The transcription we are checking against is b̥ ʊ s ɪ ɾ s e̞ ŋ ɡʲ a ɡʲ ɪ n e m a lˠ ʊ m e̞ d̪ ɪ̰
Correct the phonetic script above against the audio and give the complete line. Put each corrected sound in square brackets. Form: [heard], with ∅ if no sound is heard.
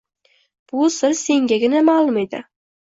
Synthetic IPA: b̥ ʊ s ɪ ɾ s e̞ ŋ ɡʲ a ɡʲ ɪ n [a] m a lˠ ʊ m e̞ d̪ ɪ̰